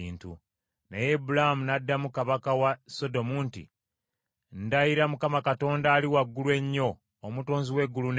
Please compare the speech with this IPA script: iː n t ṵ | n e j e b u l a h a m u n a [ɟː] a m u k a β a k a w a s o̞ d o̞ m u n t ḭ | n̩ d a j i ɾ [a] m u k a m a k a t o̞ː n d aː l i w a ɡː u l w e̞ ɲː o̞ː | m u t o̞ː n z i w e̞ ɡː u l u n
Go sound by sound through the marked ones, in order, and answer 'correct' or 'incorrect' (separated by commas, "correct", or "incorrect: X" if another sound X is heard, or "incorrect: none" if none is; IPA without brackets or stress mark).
incorrect: dː, correct